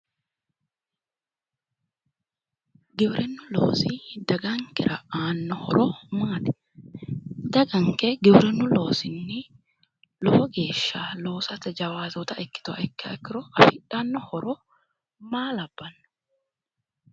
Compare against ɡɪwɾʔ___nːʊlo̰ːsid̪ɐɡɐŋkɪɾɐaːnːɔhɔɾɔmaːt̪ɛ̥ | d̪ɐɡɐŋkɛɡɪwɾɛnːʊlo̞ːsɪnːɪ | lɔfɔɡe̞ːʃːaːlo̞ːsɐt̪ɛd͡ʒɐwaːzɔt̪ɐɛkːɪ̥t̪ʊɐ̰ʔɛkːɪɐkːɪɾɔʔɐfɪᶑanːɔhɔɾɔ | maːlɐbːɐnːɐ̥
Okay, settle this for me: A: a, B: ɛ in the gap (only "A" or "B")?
B